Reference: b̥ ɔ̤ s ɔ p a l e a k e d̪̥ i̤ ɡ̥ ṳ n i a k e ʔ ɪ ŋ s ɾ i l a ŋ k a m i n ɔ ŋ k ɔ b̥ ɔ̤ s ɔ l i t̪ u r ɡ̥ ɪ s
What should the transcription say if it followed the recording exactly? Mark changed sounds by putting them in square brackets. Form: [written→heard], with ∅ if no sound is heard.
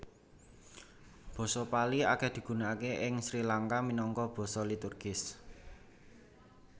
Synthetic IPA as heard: b̥ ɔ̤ s ɔ p a l [e→i] a k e d̪̥ i̤ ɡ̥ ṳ n [i→a] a k e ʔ ɪ ŋ s ɾ i l a ŋ k a m i n ɔ ŋ k ɔ b̥ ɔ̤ s ɔ l i t̪ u r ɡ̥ ɪ s